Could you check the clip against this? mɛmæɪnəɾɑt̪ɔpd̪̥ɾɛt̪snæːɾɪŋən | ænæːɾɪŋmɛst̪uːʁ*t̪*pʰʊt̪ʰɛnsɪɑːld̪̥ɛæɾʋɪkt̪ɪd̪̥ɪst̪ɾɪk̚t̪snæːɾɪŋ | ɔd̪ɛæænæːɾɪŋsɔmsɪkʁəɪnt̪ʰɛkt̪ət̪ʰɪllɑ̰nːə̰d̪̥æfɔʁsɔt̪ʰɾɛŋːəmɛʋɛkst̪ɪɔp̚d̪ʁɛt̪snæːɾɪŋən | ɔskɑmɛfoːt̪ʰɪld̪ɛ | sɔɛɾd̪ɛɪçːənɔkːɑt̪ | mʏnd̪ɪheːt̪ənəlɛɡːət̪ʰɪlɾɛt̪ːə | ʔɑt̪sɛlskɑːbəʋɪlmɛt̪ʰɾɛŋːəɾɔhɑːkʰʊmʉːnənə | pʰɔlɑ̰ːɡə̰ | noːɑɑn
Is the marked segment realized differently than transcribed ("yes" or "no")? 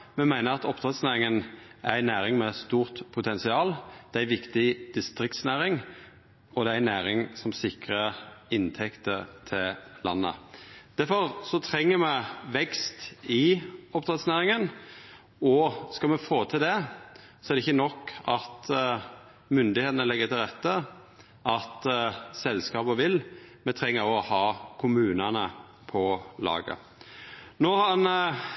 no